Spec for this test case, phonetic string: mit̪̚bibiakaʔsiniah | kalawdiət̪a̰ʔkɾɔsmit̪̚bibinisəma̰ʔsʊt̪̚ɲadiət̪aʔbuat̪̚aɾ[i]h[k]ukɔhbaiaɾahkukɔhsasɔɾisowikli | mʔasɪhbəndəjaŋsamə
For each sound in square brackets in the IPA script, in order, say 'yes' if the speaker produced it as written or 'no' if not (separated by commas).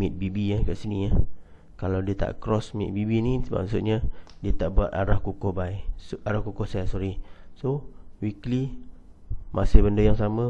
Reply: no, yes